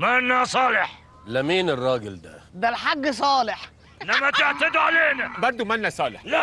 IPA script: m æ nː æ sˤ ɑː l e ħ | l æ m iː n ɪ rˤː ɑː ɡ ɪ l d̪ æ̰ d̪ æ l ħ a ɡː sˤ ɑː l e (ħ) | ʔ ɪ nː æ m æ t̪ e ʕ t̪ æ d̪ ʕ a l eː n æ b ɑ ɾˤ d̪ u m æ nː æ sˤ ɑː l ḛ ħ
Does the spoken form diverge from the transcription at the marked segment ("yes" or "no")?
no